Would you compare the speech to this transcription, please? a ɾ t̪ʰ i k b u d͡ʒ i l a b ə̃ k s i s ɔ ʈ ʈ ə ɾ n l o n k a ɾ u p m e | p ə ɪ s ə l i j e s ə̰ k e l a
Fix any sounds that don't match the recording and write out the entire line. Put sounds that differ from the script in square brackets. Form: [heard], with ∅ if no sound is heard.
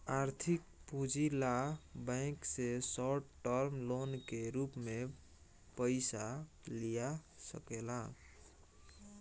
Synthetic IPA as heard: a ɾ t̪ʰ i k [p] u d͡ʒ i l a b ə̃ k s [e] s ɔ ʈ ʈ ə ɾ [m] l o n k [e] ɾ u p m e | p ə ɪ s [a] l i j [a] s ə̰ k e l a